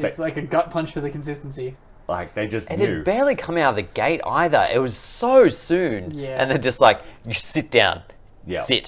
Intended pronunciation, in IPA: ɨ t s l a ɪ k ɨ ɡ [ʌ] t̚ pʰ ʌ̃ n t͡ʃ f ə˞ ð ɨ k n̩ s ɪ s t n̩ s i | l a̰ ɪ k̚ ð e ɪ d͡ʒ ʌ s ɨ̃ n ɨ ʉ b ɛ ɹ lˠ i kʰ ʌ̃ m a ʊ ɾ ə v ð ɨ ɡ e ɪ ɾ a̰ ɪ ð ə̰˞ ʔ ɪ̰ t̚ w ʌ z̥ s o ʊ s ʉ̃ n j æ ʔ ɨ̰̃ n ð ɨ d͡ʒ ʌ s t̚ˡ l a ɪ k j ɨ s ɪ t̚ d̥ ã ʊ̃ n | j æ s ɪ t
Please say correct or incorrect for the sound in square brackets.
correct